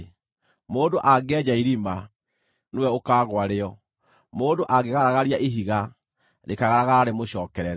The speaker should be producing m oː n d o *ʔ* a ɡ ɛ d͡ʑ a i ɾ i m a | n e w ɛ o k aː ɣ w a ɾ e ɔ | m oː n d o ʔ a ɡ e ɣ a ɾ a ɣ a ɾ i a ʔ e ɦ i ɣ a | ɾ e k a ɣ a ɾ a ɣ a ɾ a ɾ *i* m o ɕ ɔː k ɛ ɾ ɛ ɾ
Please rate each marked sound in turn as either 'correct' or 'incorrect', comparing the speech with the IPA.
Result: correct, incorrect: e

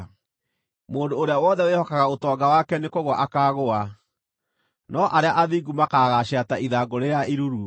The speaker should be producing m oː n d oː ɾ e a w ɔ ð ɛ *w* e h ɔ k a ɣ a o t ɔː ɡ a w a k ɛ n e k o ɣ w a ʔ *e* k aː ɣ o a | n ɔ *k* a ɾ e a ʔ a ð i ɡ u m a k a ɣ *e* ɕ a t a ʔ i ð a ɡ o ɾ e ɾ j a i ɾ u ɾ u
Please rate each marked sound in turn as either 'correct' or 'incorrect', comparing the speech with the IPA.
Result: correct, incorrect: a, incorrect: ʔ, incorrect: a

